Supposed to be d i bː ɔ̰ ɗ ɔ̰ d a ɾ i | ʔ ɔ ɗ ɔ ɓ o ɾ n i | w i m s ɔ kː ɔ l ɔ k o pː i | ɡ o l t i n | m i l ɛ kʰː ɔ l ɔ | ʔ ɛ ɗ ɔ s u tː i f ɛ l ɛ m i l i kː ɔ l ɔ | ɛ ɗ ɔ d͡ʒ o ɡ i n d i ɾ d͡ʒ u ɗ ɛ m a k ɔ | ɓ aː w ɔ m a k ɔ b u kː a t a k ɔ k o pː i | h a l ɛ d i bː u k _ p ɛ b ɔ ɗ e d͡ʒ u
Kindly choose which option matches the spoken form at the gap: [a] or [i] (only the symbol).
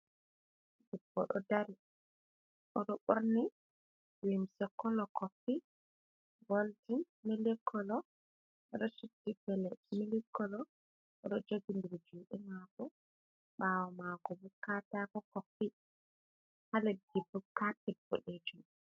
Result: a